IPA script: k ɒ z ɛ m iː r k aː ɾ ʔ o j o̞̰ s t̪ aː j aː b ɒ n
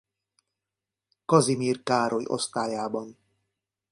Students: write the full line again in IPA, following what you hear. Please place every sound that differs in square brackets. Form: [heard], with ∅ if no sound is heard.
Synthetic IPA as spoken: k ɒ z [i] m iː r k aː ɾ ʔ o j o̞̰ s t̪ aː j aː b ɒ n